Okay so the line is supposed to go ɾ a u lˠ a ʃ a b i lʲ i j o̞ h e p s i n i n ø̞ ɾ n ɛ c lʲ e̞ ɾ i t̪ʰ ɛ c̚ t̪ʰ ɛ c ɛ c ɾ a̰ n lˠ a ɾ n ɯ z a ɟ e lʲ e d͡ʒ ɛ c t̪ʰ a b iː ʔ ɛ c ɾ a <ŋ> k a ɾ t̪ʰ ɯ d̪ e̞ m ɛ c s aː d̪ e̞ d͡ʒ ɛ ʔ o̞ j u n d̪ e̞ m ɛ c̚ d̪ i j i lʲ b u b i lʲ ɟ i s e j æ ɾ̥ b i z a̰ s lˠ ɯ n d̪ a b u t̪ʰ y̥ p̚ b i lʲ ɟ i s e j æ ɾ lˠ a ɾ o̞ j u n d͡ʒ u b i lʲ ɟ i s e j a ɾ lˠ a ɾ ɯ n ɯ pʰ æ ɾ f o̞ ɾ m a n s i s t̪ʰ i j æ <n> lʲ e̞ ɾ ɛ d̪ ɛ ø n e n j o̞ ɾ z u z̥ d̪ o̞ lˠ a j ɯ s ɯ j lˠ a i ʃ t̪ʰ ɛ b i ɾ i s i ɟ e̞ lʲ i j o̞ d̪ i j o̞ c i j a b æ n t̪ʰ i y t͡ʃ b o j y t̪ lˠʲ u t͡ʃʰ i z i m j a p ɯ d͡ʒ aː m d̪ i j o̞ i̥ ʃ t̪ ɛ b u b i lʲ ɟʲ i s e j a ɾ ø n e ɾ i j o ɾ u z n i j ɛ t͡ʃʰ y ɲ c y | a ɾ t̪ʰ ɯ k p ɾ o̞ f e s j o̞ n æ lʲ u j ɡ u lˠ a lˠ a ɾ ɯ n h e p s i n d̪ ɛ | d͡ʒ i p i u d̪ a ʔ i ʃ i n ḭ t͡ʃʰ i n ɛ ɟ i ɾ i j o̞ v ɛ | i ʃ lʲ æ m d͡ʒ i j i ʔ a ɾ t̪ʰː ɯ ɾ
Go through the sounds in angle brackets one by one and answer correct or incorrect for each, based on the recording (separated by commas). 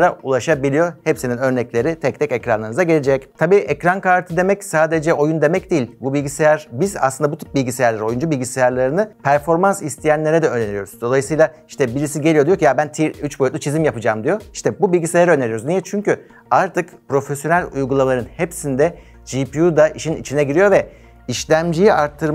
incorrect, correct